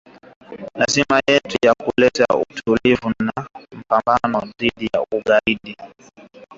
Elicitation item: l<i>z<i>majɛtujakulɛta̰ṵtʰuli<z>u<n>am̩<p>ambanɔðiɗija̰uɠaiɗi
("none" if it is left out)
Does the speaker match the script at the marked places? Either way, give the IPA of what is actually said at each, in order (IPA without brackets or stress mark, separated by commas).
a, i, v, n, p